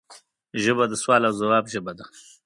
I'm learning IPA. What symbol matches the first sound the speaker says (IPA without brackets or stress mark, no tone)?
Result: ʒ